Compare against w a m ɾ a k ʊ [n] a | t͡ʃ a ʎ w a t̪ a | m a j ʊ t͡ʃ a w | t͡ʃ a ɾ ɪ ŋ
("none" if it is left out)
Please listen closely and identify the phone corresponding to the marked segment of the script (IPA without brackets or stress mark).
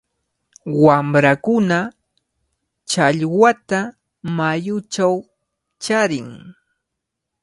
n